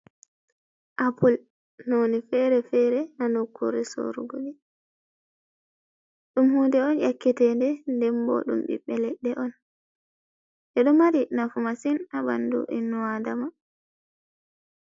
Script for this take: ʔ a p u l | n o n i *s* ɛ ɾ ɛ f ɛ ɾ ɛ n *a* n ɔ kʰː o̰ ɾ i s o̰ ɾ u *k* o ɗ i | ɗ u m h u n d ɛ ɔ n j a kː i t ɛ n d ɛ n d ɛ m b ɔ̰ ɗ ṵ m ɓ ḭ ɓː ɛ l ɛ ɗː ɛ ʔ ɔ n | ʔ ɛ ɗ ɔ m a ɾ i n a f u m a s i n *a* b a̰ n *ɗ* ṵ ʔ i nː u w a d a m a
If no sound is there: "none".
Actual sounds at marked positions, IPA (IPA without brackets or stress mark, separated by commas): f, a, ɡ, a, d